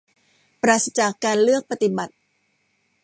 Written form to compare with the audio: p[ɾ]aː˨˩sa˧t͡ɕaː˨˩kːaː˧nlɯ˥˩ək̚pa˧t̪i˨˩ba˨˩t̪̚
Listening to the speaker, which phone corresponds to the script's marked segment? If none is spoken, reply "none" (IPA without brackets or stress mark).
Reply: ɾ